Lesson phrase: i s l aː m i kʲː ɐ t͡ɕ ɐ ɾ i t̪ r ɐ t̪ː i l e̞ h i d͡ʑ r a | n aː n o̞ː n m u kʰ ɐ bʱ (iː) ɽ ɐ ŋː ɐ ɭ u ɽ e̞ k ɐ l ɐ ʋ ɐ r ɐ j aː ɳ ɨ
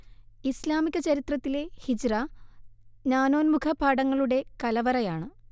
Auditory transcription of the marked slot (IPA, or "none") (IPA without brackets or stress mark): aː